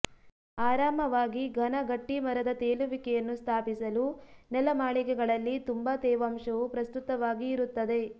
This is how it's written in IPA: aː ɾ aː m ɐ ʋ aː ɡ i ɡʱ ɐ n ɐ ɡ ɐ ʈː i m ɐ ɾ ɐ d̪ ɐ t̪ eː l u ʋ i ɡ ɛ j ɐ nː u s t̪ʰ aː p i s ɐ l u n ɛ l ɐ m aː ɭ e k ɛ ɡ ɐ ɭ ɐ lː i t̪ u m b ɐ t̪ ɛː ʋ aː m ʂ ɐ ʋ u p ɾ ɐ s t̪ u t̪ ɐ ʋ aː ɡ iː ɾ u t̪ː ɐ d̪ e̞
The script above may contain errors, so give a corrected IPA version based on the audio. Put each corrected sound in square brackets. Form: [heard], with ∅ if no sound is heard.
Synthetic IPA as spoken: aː ɾ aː m ɐ ʋ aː ɡ i ɡʱ ɐ n ɐ ɡ ɐ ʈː i m ɐ ɾ ɐ d̪ ɐ t̪ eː l u ʋ i [k] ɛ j ɐ nː u s t̪ʰ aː p i s ɐ l u n ɛ l ɐ m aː ɭ [i] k ɛ ɡ ɐ ɭ ɐ lː i t̪ u m b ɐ t̪ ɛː ʋ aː m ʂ ɐ ʋ u p ɾ ɐ s t̪ u t̪ ɐ ʋ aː ɡ iː ɾ u t̪ː ɐ d̪ e̞